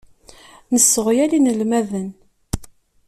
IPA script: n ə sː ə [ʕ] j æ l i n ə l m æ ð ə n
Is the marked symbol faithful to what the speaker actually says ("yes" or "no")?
no